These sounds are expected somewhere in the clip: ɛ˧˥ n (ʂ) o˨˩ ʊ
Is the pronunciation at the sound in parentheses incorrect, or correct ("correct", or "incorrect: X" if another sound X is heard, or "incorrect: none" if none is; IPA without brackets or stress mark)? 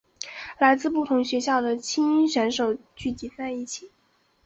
correct